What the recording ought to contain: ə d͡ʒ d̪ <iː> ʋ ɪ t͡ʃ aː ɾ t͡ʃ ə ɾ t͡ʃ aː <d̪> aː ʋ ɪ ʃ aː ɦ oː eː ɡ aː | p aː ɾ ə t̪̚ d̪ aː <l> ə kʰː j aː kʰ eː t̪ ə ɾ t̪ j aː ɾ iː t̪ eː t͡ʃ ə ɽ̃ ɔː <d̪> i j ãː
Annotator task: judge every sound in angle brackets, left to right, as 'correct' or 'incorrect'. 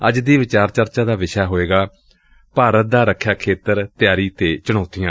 correct, correct, incorrect: ɾ, incorrect: t̪

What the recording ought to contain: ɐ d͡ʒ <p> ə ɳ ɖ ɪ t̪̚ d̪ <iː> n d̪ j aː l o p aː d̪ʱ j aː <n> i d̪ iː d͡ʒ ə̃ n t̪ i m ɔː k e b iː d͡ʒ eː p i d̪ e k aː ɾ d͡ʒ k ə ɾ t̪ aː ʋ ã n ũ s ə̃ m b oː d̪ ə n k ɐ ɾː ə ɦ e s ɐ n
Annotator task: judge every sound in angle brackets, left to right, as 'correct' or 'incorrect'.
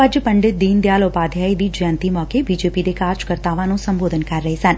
correct, correct, incorrect: none

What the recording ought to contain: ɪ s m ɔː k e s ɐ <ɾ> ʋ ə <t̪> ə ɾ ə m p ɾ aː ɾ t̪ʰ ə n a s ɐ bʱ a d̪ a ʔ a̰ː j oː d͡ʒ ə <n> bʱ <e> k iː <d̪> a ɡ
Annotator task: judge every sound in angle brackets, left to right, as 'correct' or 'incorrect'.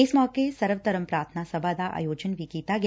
correct, correct, correct, incorrect: i, incorrect: t̪

